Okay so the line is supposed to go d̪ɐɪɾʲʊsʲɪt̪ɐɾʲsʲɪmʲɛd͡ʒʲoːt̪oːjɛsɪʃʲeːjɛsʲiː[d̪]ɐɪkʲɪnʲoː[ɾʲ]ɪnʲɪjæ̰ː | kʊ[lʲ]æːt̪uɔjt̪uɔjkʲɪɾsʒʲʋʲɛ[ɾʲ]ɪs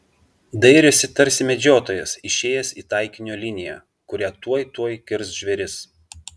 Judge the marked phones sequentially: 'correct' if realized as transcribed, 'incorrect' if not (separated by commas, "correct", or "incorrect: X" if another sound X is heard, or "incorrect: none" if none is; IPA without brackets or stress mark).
incorrect: t̪, incorrect: lʲ, incorrect: ɾʲ, correct